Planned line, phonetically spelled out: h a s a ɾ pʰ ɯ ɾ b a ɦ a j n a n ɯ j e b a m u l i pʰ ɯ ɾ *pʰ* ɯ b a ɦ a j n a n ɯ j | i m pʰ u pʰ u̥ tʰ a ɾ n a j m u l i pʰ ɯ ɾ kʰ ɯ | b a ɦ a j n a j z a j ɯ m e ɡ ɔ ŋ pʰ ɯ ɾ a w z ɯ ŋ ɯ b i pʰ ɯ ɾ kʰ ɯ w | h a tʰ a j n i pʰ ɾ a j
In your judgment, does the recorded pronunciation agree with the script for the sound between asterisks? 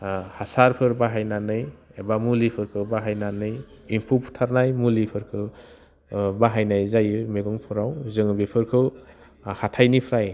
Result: no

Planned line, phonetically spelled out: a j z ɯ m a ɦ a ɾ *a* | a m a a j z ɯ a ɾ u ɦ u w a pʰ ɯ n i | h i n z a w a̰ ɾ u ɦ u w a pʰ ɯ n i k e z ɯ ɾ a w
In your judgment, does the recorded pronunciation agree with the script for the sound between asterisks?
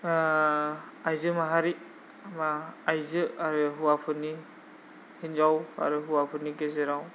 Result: no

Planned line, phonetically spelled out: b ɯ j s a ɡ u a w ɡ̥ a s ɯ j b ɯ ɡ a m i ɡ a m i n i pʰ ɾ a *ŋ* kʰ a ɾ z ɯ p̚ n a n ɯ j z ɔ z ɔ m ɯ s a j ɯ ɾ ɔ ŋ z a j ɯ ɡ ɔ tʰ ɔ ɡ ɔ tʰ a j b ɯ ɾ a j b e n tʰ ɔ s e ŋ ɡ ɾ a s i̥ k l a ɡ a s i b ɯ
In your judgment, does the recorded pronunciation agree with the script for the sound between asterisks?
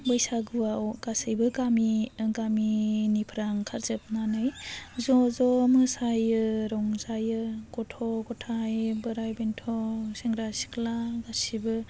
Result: yes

